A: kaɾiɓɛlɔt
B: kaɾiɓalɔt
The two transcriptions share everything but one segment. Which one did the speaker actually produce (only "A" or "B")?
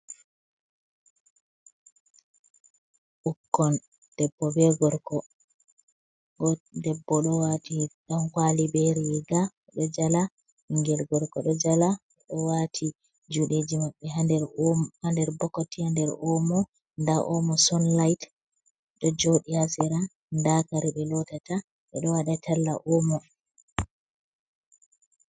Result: A